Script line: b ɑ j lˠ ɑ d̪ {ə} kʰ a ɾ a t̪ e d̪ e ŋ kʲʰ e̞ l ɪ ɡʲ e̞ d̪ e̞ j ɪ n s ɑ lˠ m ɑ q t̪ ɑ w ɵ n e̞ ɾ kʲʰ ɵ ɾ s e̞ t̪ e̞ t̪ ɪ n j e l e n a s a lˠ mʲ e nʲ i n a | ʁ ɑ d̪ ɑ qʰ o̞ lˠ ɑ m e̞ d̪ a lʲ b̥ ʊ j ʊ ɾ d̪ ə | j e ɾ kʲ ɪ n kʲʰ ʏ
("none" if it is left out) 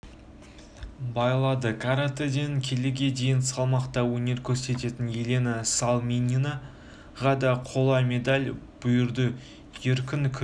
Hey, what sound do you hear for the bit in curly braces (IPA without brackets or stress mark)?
ə